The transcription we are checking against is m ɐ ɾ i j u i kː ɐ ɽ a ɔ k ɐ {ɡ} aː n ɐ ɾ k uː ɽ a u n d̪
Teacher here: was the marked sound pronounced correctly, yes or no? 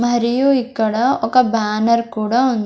no